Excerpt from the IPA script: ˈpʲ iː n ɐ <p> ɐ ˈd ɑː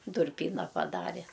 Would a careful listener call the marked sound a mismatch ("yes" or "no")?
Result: no